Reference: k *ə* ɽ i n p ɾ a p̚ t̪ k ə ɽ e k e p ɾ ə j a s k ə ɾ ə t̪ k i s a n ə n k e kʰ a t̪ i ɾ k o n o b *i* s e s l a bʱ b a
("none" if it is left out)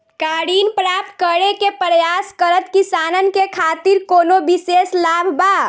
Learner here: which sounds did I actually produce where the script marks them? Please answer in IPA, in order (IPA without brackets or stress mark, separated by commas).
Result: a, i